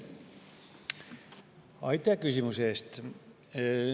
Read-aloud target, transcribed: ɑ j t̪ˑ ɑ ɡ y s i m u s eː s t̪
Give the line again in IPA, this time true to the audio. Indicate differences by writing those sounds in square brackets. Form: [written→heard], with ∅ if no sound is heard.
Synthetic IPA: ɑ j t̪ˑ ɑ [ɡ→k] y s i m u s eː s t̪